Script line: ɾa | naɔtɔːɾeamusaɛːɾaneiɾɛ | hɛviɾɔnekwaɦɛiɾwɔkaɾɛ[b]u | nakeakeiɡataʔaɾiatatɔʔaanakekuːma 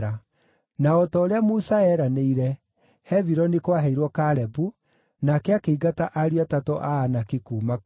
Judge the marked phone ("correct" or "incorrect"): correct